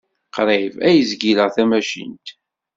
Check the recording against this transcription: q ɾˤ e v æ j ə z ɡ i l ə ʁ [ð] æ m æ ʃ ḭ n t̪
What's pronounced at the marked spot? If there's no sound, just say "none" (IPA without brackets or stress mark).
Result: θ